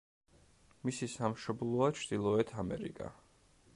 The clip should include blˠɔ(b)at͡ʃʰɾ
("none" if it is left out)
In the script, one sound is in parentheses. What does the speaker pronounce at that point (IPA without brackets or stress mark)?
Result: none